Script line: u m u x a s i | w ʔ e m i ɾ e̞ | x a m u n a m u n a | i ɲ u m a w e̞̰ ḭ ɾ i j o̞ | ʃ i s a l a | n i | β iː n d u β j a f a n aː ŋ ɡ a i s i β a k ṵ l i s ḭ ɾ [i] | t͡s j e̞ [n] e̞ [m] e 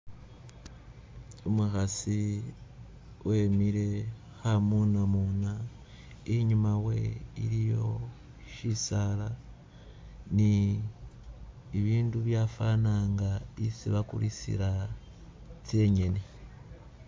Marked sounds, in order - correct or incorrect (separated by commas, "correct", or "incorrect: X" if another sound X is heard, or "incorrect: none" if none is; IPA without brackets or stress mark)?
incorrect: a, incorrect: ɲ, incorrect: n